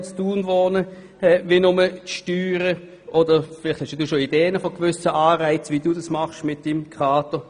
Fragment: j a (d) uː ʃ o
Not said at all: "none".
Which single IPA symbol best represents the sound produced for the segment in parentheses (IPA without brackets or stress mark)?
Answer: d